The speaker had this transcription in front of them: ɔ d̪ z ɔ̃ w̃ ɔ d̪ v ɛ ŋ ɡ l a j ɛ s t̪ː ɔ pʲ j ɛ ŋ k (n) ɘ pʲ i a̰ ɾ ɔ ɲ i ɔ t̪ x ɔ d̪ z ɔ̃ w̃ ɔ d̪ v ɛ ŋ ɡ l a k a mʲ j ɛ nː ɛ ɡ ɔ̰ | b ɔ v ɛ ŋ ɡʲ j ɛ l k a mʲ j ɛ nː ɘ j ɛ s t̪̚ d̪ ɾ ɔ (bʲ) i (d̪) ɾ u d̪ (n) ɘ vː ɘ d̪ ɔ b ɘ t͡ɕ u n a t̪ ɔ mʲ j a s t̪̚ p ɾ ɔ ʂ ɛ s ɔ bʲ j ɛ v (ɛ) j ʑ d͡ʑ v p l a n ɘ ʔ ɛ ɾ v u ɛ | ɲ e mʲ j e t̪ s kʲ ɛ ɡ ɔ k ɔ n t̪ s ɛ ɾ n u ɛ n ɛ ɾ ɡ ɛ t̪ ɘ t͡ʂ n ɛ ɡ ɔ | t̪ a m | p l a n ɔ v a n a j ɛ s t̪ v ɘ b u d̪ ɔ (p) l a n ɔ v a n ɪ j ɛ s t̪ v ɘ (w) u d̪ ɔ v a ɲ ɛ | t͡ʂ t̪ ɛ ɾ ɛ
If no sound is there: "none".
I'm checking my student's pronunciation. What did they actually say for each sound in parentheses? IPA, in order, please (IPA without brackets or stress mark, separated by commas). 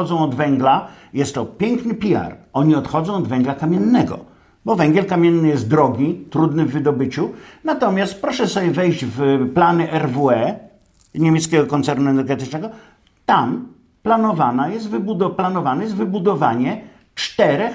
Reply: n, ɡʲ, t̪, n, ɛ, p, b